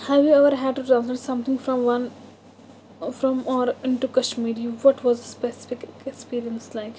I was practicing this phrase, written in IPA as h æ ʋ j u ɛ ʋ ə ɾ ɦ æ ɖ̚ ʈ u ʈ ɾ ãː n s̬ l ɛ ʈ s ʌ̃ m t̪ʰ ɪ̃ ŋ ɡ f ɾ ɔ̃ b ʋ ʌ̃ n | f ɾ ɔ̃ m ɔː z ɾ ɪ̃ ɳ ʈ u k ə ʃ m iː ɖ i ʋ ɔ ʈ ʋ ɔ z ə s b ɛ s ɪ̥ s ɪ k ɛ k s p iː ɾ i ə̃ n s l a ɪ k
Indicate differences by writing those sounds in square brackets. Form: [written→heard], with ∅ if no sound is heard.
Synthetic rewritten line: h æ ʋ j u ɛ ʋ ə ɾ ɦ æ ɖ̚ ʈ u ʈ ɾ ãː n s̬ l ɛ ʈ s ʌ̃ m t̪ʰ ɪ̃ ŋ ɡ f ɾ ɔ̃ [b→m] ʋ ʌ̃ n | f ɾ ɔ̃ m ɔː [z→∅] ɾ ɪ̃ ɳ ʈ u k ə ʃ m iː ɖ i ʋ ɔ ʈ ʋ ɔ z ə s [b→p] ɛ s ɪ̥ [s→f] ɪ k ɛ k s p iː ɾ i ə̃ n s l a ɪ k